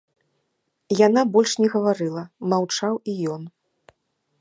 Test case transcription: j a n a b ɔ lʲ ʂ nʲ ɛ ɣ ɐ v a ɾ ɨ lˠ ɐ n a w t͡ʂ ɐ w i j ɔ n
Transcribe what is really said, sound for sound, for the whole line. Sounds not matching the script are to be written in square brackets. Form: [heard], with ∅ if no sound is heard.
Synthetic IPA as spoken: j a n a b ɔ lʲ ʂ nʲ ɛ ɣ ɐ v a ɾ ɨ lˠ ɐ [m] a w t͡ʂ [a] w i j ɔ n